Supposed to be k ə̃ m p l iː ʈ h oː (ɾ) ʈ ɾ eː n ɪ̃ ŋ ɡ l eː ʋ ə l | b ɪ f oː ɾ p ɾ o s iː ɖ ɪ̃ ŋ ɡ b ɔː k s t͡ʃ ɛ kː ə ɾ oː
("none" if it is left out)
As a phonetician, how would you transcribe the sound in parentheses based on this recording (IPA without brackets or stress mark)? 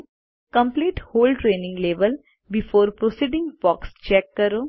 l